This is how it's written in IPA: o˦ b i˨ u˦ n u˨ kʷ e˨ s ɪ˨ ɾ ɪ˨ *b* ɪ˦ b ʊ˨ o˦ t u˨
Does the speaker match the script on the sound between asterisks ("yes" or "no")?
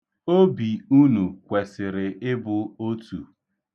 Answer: no